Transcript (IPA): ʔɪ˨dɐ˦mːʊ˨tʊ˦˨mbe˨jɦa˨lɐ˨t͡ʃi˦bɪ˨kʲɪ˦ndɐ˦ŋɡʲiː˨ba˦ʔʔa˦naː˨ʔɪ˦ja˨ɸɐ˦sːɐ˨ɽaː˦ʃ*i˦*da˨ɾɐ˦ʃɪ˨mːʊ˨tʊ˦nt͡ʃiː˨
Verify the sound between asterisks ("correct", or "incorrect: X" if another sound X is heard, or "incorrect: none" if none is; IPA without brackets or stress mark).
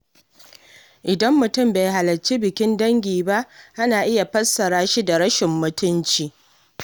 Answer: correct